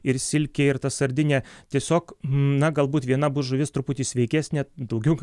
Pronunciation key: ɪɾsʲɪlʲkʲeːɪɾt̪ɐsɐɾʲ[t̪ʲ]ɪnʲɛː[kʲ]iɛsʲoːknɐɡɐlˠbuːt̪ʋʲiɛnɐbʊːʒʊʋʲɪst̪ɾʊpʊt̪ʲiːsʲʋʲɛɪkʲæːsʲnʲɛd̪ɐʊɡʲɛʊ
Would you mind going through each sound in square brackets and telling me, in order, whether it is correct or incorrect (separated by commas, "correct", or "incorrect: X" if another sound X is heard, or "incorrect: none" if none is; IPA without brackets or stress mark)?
incorrect: d̪ʲ, incorrect: tʲ